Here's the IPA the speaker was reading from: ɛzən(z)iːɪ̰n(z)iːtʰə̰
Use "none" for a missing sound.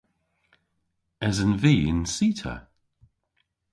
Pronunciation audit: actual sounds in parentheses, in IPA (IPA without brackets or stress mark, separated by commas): v, s